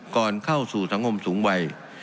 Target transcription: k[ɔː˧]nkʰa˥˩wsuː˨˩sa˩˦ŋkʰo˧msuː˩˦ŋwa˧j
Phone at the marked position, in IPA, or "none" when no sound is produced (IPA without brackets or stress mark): ɔː˨˩